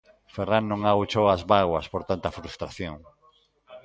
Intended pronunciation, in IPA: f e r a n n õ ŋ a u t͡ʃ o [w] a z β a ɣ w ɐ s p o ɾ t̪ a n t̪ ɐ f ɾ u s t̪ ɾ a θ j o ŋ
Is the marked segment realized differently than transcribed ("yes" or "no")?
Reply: no